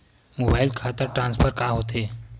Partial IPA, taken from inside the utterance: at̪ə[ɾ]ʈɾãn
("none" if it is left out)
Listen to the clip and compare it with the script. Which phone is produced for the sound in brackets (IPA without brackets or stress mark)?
ɾ